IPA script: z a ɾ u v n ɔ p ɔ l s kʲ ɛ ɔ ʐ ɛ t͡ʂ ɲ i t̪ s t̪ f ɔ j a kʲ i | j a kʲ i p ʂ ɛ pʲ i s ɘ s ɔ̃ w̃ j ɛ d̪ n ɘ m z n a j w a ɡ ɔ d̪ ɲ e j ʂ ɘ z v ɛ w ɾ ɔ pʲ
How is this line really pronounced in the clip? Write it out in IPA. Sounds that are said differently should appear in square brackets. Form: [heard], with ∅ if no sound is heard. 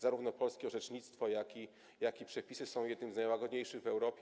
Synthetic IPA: z a ɾ u v n ɔ p ɔ l s kʲ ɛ ɔ ʐ ɛ t͡ʂ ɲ i t̪ s t̪ f ɔ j a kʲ i | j a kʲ i p ʂ ɛ pʲ i s ɘ s ɔ̃ w̃ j ɛ d̪ n ɘ m z n a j w a ɡ ɔ d̪ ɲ e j ʂ ɘ [ɣ] v ɛ w ɾ ɔ pʲ

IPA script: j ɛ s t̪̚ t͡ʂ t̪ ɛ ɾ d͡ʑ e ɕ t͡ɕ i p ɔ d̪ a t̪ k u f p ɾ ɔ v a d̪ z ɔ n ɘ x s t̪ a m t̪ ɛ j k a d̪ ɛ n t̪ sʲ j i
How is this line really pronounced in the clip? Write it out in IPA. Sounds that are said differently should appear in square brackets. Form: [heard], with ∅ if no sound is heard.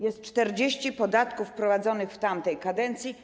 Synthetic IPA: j ɛ s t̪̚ t͡ʂ t̪ ɛ ɾ d͡ʑ e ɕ t͡ɕ i p ɔ d̪ a t̪ k u f p ɾ ɔ v a d̪ z ɔ n ɘ x [f] t̪ a m t̪ ɛ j k a d̪ ɛ n t̪ sʲ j i

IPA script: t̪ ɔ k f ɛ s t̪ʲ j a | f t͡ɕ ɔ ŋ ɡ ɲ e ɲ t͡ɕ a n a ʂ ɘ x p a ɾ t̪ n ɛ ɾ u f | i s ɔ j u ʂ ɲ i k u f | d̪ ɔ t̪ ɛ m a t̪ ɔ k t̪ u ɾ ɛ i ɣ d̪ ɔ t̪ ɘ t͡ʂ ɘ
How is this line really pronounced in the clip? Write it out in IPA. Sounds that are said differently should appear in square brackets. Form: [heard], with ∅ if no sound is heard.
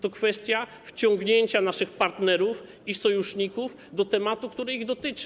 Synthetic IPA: t̪ ɔ k f ɛ s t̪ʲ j a | f t͡ɕ ɔ ŋ ɡ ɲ e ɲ t͡ɕ a n a ʂ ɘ x p a ɾ t̪ n ɛ ɾ u f | i s ɔ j u ʂ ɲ i k u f | d̪ ɔ t̪ ɛ m a t̪ [u] k t̪ u ɾ ɛ i ɣ d̪ ɔ t̪ ɘ t͡ʂ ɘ

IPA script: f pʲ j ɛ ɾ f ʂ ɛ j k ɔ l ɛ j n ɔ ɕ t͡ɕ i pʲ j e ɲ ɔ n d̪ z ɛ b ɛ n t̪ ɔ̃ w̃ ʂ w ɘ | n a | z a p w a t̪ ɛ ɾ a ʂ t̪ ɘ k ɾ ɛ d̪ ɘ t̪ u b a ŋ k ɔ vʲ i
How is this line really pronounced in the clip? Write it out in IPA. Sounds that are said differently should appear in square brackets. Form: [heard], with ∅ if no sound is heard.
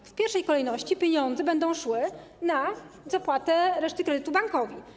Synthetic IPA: f pʲ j ɛ ɾ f ʂ ɛ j k ɔ l ɛ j n ɔ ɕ t͡ɕ i pʲ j e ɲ ɔ n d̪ z ɛ b ɛ n [d̪] ɔ̃ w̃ ʂ w ɘ | n a | z a p w a t̪ ɛ ɾ [ɛ] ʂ t̪ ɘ k ɾ ɛ d̪ ɘ t̪ u b a ŋ k ɔ vʲ i

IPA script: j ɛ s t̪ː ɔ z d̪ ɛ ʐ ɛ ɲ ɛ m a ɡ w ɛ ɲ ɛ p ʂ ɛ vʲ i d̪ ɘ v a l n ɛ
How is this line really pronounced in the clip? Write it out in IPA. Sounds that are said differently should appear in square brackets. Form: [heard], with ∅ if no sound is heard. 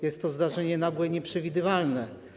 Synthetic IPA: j ɛ s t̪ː ɔ z d̪ [a] ʐ ɛ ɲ ɛ [n] a ɡ w ɛ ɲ ɛ p ʂ ɛ vʲ i d̪ ɘ v a l n ɛ

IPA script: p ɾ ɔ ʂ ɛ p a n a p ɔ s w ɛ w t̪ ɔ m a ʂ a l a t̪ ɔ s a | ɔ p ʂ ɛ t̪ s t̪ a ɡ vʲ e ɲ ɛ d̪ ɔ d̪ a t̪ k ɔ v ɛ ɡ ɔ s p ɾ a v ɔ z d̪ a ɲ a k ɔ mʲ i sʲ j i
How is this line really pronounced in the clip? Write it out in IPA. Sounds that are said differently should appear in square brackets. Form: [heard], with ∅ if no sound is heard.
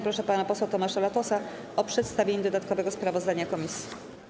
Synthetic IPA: p ɾ ɔ ʂ ɛ p a n a p ɔ s w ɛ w t̪ ɔ m a ʂ a l a t̪ ɔ s a | ɔ p ʂ ɛ t̪ s t̪ a [∅] vʲ e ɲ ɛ d̪ ɔ d̪ a t̪ k ɔ v ɛ ɡ ɔ s p ɾ a v ɔ z d̪ a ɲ a k ɔ mʲ i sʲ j i

